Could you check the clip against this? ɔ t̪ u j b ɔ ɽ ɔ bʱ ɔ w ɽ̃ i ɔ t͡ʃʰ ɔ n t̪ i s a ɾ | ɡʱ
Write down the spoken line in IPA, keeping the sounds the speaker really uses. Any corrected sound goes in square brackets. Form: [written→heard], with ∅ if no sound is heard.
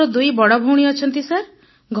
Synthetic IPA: ɔ [t̪→d̪] u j b ɔ ɽ ɔ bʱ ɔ w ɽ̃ i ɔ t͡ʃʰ ɔ n t̪ i s a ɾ | ɡʱ